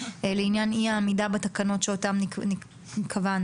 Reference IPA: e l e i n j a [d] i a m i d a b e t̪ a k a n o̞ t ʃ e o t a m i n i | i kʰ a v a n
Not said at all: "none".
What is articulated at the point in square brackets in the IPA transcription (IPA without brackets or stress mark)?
n